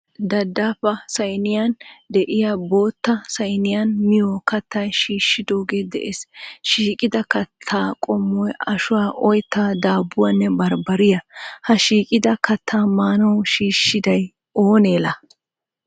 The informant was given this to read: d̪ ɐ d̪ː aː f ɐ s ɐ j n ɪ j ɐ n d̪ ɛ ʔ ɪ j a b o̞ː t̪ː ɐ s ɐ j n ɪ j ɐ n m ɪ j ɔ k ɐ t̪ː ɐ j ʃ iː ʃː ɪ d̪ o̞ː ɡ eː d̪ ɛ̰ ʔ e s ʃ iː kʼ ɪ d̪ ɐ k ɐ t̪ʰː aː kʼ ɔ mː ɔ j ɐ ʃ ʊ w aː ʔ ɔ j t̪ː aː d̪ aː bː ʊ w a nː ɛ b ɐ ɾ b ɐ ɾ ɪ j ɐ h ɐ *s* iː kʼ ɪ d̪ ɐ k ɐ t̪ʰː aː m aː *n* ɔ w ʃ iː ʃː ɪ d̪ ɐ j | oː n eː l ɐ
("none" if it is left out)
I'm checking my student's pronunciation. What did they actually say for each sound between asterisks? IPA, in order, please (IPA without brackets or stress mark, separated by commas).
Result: ʃ, n